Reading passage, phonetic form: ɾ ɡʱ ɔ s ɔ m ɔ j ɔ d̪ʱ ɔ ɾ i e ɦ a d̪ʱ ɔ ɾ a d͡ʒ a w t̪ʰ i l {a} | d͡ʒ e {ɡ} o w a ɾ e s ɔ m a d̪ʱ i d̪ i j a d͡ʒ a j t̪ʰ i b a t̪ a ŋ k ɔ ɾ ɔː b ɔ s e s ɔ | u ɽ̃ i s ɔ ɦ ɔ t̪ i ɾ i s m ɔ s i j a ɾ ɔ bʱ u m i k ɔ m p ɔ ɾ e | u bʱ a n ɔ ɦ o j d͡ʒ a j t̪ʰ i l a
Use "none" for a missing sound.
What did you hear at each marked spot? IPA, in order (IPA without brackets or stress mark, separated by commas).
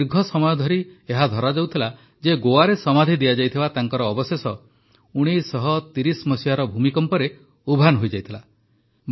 a, ɡ